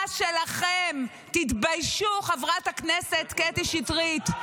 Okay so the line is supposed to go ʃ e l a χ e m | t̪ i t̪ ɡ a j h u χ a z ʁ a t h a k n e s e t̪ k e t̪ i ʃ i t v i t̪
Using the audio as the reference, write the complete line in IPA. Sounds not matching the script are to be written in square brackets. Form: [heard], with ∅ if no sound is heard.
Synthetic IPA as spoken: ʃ e l a χ e m | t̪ i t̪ [b] a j [ʃ] u χ a [v] ʁ a t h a k n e s e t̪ k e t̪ i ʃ i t [ʁ] i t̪